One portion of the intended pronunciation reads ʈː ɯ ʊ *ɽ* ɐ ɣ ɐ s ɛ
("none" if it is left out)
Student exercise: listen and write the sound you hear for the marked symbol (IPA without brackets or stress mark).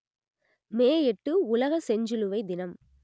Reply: l